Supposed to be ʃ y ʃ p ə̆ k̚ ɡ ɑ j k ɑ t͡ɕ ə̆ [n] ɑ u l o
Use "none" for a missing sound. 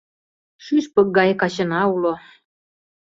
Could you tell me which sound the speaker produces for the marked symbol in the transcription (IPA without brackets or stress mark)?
n